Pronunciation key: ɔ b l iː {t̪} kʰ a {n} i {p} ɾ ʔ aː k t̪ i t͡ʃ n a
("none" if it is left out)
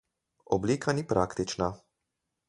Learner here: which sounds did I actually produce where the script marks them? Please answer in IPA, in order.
none, n, p

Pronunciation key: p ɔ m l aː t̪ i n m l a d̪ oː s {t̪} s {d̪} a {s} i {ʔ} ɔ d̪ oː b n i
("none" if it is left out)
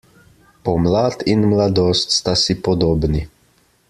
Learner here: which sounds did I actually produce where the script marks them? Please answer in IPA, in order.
t̪, t̪, s, p

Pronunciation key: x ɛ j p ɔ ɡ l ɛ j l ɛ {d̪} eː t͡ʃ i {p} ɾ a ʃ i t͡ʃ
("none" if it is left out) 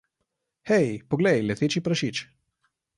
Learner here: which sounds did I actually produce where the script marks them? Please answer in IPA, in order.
t̪, p

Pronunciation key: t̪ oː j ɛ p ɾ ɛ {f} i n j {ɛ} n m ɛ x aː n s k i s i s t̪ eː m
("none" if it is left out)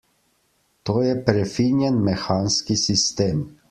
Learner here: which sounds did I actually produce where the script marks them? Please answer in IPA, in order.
f, ɛ

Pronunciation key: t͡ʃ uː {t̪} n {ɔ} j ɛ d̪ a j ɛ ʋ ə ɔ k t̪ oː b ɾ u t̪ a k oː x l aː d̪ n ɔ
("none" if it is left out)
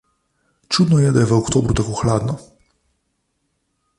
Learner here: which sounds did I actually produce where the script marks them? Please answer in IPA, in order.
d̪, ɔ

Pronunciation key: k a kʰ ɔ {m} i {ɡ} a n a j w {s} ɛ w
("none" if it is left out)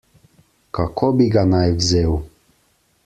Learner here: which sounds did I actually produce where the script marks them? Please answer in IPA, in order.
b, ɡ, z

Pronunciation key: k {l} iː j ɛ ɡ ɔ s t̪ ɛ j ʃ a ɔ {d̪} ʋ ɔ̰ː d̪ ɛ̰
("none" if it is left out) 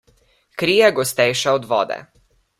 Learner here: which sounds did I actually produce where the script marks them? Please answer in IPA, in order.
ɾ, d̪

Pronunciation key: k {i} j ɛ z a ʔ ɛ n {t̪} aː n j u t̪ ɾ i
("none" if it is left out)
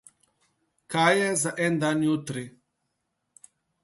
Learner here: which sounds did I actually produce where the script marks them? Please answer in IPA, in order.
a, d̪

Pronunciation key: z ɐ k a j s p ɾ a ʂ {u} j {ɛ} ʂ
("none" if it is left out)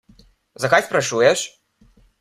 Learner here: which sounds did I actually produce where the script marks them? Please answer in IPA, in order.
u, ɛ

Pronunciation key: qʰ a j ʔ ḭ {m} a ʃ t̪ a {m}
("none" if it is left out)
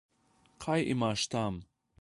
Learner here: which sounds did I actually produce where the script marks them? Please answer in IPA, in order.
m, m

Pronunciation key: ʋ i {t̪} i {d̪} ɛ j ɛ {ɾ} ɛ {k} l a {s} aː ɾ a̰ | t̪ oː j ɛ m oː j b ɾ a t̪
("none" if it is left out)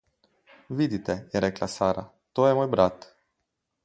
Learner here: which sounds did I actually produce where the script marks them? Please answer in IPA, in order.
d̪, t̪, ɾ, k, s

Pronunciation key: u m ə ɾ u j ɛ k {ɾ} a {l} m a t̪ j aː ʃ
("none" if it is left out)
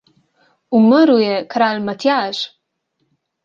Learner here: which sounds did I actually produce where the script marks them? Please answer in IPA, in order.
ɾ, l

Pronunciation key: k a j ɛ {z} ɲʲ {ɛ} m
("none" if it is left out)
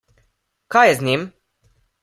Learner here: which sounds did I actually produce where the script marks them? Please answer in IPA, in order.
z, i

